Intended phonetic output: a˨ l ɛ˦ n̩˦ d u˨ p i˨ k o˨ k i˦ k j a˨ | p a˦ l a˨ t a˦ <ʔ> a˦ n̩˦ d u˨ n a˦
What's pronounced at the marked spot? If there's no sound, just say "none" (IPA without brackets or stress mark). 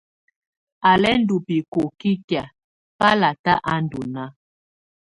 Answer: ʔ